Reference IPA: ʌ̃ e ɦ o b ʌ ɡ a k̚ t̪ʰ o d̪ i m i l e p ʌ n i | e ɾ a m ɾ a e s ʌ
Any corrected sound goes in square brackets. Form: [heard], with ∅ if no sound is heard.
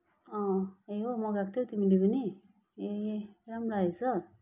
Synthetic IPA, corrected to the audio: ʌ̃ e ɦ o [m] ʌ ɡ a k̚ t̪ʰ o [t̪] i m i l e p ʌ n i | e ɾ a m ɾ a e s ʌ